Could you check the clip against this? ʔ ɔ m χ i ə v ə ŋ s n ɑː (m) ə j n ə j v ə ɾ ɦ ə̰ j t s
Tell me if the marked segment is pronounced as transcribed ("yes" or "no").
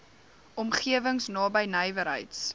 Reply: no